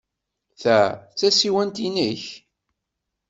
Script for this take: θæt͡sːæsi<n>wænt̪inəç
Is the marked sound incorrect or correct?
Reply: incorrect